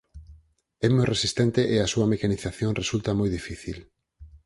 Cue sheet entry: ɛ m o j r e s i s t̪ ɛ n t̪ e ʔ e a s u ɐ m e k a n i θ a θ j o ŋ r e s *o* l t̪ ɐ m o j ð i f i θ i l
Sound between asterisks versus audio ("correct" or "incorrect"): incorrect